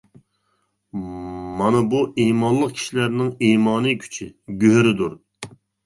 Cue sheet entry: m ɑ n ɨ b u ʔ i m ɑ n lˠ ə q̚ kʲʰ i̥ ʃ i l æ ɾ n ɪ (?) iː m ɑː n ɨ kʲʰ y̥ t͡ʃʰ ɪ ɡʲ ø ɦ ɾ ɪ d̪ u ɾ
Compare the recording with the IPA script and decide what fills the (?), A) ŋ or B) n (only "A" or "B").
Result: A